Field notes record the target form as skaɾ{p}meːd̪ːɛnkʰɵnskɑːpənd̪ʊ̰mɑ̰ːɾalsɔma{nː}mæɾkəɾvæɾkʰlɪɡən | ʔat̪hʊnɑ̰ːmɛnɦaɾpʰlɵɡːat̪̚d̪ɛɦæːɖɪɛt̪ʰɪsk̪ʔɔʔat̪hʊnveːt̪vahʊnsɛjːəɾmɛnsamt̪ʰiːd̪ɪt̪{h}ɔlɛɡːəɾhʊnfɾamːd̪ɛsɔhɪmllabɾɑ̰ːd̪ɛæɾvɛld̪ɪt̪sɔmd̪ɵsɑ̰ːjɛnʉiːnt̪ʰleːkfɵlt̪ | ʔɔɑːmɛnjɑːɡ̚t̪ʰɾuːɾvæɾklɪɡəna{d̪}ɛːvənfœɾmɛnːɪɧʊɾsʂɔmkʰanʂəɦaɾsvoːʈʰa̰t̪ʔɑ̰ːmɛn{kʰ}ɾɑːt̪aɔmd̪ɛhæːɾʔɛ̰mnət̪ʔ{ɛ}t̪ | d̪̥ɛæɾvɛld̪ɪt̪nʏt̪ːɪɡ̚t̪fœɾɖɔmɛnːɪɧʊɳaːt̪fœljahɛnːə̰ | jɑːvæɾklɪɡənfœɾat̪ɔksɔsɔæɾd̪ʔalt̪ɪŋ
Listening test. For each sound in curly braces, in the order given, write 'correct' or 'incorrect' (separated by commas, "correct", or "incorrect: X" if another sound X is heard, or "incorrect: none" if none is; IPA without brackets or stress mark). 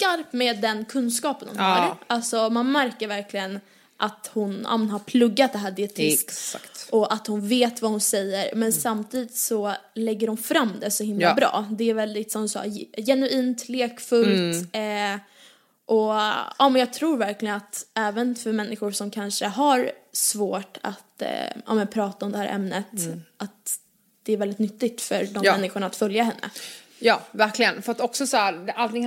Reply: correct, incorrect: n, incorrect: s, incorrect: t̪, incorrect: pʰ, incorrect: a